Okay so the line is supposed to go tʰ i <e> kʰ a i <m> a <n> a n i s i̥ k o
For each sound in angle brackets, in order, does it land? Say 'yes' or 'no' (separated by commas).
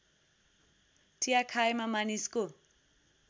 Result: no, yes, no